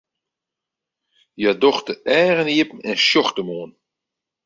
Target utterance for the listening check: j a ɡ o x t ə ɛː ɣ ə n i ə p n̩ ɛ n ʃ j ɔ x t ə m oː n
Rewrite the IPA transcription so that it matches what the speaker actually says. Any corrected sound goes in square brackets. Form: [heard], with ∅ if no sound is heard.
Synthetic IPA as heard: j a [d] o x t ə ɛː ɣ ə n i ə p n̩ ɛ n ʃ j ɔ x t ə m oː n